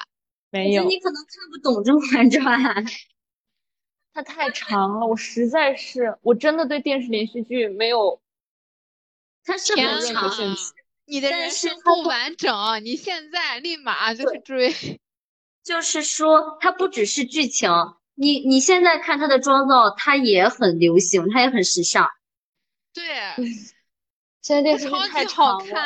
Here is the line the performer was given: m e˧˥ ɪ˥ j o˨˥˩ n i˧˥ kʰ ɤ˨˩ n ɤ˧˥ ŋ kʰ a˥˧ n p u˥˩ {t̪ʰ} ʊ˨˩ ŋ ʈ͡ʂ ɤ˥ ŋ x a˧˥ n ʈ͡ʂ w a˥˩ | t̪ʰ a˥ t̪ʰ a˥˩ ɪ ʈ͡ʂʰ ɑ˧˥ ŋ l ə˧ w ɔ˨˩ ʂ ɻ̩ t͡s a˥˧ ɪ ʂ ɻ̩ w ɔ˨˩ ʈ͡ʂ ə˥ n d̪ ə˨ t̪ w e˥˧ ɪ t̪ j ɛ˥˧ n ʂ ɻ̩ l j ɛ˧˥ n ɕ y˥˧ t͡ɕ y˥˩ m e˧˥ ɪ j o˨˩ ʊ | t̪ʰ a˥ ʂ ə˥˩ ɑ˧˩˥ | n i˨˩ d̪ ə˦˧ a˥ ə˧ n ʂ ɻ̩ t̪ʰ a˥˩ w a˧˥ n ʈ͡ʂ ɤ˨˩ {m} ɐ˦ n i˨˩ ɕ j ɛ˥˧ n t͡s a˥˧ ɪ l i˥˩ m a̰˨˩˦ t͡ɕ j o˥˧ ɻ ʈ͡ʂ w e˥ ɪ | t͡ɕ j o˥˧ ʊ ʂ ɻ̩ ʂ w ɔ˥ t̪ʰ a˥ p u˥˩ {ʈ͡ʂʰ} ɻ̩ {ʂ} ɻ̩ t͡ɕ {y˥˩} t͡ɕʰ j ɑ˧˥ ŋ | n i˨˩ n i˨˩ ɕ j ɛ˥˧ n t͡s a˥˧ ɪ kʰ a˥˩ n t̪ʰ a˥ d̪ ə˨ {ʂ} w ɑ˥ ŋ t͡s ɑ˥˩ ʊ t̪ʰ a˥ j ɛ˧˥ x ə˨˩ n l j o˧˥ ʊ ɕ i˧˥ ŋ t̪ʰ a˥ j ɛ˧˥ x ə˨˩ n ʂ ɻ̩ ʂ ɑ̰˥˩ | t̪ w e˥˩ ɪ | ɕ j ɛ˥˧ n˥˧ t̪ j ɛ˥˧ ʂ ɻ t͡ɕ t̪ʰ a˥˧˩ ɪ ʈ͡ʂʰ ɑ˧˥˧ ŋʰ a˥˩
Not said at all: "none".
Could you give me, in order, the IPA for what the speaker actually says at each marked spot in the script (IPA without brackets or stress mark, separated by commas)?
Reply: t̪, ŋ, ʈ͡ʂ, ʂ, y˥˩, ʈ͡ʂ